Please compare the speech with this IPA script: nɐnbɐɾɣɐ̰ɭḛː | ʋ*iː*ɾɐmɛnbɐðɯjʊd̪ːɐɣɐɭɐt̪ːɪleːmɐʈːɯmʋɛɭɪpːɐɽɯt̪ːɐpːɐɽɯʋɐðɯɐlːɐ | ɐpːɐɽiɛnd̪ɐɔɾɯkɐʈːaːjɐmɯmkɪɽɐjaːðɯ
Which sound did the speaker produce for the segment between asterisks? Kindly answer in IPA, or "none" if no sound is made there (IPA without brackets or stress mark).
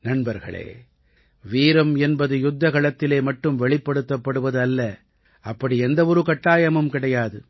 iː